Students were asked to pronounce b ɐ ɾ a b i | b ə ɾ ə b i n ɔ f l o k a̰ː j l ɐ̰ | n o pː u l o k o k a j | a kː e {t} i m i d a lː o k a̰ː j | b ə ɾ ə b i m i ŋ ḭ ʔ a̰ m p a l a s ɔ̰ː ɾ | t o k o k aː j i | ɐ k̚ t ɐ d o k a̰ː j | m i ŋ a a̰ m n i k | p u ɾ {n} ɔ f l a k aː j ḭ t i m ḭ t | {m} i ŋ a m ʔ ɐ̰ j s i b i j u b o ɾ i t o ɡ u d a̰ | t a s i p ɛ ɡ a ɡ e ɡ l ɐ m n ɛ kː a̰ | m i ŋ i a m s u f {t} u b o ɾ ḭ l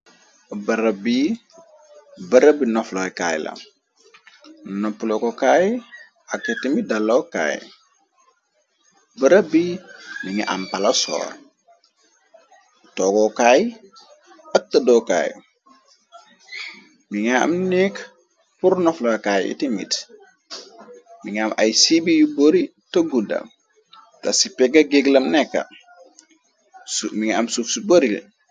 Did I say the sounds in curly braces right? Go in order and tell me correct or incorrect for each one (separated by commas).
correct, correct, correct, incorrect